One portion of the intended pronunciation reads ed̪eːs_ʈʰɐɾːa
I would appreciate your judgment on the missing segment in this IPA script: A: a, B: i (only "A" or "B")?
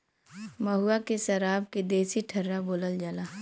B